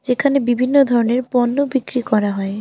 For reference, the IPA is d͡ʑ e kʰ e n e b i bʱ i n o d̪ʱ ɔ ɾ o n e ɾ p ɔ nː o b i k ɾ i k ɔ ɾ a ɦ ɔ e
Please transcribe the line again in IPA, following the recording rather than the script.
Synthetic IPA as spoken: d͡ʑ e kʰ a n e b i bʱ i nː o d̪ʱ ɔ ɾ o n e ɾ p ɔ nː o b i k ɾ i k ɔ ɾ a ɦ ɔ e